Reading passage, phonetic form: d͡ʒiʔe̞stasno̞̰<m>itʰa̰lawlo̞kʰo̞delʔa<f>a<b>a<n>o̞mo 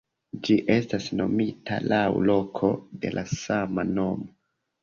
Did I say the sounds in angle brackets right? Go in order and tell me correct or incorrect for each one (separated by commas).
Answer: correct, incorrect, incorrect, correct